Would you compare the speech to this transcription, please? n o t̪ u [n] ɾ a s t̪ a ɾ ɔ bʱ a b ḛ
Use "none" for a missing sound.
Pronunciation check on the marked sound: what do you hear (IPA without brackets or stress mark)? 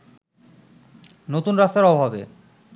n